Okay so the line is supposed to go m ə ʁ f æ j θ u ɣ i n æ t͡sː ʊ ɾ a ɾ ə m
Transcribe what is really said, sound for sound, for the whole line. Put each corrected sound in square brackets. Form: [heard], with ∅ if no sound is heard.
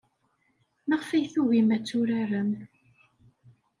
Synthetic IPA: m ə ʁ f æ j θ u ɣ i [m] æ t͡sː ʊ ɾ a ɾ ə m